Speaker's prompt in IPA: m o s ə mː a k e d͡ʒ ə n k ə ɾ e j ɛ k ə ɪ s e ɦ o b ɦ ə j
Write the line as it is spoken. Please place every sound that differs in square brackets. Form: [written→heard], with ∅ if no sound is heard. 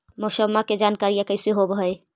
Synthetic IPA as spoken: m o s ə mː a k e d͡ʒ [ə→a] n k [ə→a] ɾ [e→i] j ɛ k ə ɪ s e ɦ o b ɦ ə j